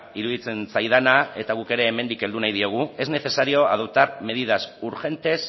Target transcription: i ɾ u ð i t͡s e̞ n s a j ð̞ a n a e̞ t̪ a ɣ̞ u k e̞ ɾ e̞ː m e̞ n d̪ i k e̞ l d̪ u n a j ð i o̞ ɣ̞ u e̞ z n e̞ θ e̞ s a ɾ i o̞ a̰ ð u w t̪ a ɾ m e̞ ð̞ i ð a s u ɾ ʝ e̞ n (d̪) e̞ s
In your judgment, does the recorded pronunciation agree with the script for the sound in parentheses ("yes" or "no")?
no